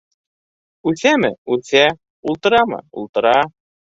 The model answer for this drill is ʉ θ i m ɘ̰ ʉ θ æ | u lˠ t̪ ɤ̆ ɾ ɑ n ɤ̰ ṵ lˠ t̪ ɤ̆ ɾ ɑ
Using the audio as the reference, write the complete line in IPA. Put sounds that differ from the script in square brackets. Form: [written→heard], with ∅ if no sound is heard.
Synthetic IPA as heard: ʉ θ [i→æ] m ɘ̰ ʉ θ æ | u lˠ t̪ ɤ̆ ɾ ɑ [n→m] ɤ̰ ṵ lˠ t̪ ɤ̆ ɾ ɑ

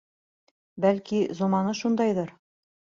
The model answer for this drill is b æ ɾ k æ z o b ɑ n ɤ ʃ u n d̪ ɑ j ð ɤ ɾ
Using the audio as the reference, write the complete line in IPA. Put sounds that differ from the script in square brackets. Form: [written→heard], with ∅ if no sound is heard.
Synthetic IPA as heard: b æ [ɾ→l] k [æ→i] z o [b→m] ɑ n ɤ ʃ u n d̪ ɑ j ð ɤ ɾ

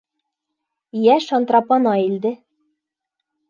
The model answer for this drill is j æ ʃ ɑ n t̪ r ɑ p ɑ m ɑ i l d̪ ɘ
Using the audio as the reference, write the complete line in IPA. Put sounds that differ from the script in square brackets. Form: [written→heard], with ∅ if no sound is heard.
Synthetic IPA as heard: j æ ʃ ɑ n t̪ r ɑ p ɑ [m→n] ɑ i l d̪ ɘ

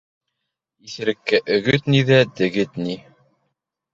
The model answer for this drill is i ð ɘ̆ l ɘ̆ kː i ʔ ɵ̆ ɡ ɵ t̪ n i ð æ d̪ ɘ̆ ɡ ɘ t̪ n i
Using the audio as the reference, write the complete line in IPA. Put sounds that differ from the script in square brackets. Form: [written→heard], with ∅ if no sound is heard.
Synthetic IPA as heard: i [ð→θ] ɘ̆ [l→ɾ] ɘ̆ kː [i→æ] ʔ ɵ̆ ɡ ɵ t̪ n i ð æ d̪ ɘ̆ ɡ ɘ t̪ n i

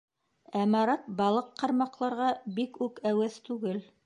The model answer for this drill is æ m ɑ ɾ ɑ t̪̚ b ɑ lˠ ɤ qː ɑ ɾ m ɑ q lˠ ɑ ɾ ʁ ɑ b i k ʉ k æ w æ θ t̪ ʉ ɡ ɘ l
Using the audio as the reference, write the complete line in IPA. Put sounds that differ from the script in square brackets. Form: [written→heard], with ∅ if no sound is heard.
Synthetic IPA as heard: æ m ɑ ɾ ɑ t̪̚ b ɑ lˠ ɤ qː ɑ ɾ m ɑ q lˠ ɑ ɾ ʁ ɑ b i k ʉ k æ w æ θ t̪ ʉ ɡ ɘ l

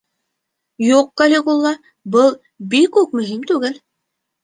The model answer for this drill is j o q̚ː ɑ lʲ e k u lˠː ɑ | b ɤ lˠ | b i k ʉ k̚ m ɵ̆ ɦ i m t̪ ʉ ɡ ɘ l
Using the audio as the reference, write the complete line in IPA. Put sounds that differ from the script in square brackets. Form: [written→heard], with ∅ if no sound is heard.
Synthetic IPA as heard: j [o→u] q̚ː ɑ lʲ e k u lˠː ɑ | b ɤ lˠ | b i k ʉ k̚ m ɵ̆ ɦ i m t̪ ʉ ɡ ɘ l

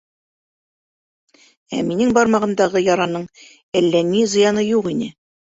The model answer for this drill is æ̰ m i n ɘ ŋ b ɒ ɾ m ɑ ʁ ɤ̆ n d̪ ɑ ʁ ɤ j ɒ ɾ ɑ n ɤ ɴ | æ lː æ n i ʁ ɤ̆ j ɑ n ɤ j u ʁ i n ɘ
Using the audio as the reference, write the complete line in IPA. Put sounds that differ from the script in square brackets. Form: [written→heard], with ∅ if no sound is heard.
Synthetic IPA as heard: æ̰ m i n ɘ ŋ b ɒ ɾ m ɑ ʁ ɤ̆ n d̪ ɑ ʁ ɤ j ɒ ɾ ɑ n ɤ ɴ | æ lː æ n i [ʁ→z] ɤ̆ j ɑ n ɤ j u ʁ i n ɘ

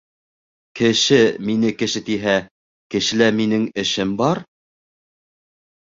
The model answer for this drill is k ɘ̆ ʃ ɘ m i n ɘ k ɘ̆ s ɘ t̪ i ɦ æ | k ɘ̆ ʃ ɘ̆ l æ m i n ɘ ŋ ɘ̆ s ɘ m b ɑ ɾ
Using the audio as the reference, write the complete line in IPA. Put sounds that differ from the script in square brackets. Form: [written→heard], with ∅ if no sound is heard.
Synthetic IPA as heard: k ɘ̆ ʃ ɘ m i n ɘ k ɘ̆ [s→ʃ] ɘ t̪ i ɦ æ | k ɘ̆ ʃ ɘ̆ l æ m i n ɘ ŋ ɘ̆ [s→ʃ] ɘ m b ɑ ɾ

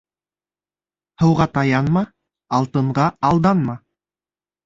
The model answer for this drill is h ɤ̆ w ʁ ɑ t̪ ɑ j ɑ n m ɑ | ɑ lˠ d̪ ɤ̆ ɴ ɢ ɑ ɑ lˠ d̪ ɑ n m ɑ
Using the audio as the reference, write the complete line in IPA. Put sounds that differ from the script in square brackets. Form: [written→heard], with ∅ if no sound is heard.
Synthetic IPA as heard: h ɤ̆ w ʁ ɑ t̪ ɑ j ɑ n m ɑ | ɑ lˠ [d̪→t̪] ɤ̆ ɴ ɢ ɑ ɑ lˠ d̪ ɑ n m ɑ

